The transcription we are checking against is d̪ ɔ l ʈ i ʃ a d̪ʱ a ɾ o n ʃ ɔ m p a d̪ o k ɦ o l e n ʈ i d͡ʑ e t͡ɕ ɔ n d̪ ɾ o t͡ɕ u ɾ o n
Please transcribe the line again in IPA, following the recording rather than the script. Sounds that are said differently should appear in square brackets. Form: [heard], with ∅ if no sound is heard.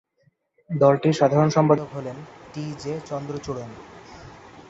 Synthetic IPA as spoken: d̪ ɔ l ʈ i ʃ a d̪ʱ a ɾ o n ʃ ɔ m p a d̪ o k ɦ o l e n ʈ i d͡ʑ e t͡ɕ ɔ n d̪ ɾ o t͡ɕ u [ɽ] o n